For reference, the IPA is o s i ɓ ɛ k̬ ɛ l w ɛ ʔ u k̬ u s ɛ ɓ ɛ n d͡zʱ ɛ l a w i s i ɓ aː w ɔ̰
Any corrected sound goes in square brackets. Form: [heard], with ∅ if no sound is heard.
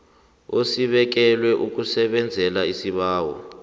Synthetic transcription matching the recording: o s i ɓ ɛ k̬ ɛ l w ɛ ʔ u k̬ u s ɛ ɓ ɛ n d͡zʱ ɛ l a [∅] i s i ɓ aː w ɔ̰

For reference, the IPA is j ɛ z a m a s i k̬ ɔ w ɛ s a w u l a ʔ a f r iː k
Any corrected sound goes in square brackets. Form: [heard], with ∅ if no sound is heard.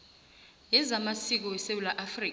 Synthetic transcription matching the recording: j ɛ z a m a s i k̬ ɔ w ɛ s [e] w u l a ʔ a f r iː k

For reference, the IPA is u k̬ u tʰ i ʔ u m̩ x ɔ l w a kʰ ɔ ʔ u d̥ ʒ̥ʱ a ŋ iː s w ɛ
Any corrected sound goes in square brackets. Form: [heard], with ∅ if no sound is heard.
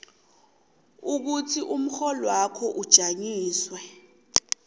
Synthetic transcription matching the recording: u k̬ u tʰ i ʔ u m̩ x ɔ l w a kʰ ɔ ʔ u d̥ ʒ̥ʱ a [ɲ] iː s w ɛ

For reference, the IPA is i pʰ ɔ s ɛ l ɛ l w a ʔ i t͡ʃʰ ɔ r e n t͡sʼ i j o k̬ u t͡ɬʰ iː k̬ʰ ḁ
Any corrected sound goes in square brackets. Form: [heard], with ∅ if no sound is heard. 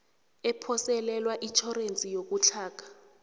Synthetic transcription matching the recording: [ɛ] pʰ ɔ s ɛ l ɛ l w a ʔ i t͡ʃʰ ɔ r e n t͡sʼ i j o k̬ u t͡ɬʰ [aː] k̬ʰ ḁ

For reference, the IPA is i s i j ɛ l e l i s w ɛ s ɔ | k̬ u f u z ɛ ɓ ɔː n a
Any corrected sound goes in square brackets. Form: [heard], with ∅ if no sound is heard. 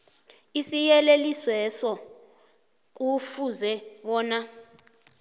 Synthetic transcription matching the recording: i s i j ɛ l e l i s w ɛ s ɔ | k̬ u f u z ɛ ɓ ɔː n a

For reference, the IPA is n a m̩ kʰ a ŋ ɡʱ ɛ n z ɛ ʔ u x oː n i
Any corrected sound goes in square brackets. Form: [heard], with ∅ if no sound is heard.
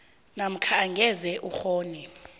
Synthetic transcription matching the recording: n a m̩ kʰ a ŋ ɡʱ ɛ [∅] z ɛ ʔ u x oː n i

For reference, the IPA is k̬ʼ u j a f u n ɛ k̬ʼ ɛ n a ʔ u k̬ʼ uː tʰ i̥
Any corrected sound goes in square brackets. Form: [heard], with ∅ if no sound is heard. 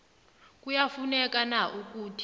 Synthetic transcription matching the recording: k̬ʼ u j a f u n ɛ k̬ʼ [a] n a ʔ u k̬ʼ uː tʰ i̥

